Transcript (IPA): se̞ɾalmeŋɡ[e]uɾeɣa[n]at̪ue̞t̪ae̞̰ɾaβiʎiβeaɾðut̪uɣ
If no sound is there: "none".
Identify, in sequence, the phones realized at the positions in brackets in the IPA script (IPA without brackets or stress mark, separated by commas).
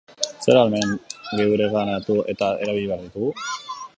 e, n